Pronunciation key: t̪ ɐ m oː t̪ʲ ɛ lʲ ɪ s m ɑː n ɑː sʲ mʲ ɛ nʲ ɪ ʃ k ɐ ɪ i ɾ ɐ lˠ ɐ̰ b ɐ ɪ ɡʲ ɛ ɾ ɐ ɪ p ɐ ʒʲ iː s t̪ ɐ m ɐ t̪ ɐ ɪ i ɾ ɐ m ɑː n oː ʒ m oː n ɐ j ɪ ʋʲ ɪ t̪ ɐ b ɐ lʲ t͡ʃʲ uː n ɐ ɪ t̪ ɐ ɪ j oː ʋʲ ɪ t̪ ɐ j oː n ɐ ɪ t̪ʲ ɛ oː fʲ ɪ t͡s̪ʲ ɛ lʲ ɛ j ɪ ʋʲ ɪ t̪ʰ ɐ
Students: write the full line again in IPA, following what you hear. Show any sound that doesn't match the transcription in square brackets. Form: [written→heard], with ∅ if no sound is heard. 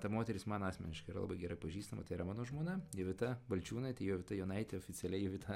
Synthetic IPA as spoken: t̪ ɐ m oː t̪ʲ ɛ [lʲ→ɾʲ] ɪ s m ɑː n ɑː sʲ mʲ ɛ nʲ ɪ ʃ k ɐ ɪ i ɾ ɐ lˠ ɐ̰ b ɐ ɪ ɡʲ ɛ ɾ ɐ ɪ p ɐ ʒʲ iː s t̪ ɐ m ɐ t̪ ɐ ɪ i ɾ ɐ m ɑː n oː ʒ m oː n ɐ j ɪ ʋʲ ɪ t̪ ɐ b ɐ lʲ t͡ʃʲ uː n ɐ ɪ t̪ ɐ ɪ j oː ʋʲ ɪ t̪ ɐ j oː n ɐ ɪ t̪ʲ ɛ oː fʲ ɪ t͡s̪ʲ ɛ lʲ ɛ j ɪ ʋʲ ɪ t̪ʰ ɐ